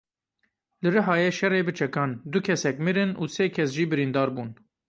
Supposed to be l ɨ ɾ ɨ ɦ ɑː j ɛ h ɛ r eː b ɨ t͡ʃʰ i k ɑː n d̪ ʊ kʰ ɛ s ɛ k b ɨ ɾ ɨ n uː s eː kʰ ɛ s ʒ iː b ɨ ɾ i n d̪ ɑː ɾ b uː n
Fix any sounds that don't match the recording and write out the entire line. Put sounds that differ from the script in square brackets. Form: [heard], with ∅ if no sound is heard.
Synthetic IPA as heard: l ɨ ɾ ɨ ɦ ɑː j ɛ [ʃ] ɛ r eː b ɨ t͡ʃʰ [ɛ] k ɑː n d̪ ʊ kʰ ɛ s ɛ k [m] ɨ ɾ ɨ n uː s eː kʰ ɛ s ʒ iː b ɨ ɾ i n d̪ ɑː ɾ b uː n